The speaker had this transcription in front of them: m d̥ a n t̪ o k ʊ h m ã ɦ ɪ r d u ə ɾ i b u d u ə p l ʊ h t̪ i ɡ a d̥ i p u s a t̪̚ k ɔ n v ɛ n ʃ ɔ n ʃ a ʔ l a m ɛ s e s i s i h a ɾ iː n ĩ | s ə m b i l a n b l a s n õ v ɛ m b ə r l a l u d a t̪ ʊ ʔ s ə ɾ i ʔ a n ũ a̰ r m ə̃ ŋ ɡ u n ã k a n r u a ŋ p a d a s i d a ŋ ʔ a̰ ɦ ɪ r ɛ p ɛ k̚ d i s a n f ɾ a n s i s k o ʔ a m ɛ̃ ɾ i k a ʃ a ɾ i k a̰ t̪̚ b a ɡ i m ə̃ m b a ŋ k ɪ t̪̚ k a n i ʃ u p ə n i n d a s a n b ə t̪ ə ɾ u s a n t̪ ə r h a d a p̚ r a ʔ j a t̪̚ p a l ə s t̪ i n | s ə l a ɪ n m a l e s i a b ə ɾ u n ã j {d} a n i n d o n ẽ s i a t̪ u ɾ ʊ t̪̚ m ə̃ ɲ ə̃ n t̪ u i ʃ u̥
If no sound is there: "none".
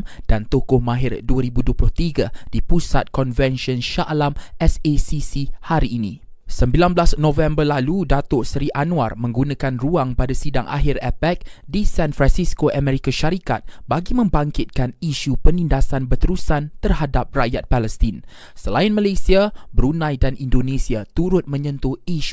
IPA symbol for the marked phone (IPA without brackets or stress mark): d